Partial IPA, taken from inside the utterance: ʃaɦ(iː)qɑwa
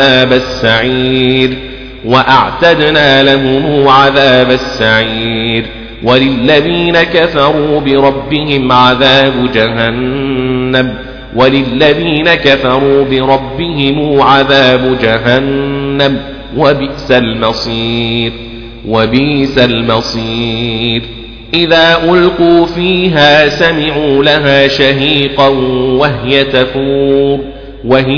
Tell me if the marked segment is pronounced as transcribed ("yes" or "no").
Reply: yes